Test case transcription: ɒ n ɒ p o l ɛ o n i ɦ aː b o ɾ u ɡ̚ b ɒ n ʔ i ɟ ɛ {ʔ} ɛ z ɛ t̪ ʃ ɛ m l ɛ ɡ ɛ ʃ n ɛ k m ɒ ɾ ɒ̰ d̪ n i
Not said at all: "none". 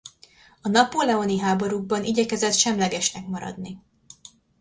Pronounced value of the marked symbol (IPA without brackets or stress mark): k